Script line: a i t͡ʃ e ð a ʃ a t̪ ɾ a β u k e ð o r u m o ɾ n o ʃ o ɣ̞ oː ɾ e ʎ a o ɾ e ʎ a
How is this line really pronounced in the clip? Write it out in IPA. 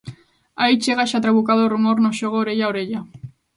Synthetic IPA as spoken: a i t͡ʃ e ɣ a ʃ a t̪ ɾ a β u k a ð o r u m o ɾ n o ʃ o ɣ̞ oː ɾ e ʎ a o ɾ e ʎ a